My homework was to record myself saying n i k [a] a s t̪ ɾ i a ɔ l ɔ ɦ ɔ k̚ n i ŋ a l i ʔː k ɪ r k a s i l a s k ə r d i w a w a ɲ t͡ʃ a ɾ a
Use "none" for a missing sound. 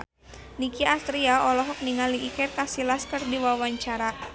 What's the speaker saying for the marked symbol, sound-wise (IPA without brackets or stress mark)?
i